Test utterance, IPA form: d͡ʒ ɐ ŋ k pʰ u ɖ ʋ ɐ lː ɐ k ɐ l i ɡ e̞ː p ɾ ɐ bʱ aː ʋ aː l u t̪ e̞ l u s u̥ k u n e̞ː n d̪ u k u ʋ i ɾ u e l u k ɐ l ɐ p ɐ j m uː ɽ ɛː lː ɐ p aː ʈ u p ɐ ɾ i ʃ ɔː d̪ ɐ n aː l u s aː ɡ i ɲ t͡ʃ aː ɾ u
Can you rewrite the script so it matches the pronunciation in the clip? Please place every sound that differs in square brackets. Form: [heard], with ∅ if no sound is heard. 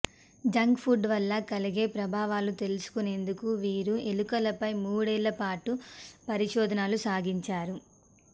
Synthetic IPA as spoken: d͡ʒ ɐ ŋ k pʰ u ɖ ʋ ɐ lː ɐ k ɐ l i ɡ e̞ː p ɾ ɐ bʱ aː ʋ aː l u t̪ e̞ l u s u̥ k u n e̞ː n d̪ u k u ʋ [iː] ɾ u e l u k ɐ l ɐ p ɐ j m uː ɽ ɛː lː ɐ p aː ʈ u p ɐ ɾ i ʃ ɔː d̪ ɐ n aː l u s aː ɡ i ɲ t͡ʃ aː ɾ u